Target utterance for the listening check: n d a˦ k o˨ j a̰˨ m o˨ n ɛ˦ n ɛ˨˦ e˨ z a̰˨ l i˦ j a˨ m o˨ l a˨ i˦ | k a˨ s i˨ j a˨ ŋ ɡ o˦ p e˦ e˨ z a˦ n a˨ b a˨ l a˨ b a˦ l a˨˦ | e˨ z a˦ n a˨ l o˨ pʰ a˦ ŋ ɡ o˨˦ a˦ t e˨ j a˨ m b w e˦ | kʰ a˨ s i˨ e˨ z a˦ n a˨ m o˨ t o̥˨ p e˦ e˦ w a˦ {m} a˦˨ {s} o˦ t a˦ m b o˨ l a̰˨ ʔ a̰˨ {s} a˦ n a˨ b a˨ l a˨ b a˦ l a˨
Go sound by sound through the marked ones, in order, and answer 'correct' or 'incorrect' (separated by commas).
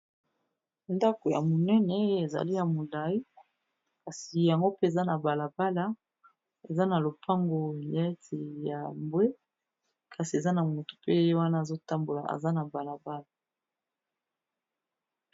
incorrect, incorrect, incorrect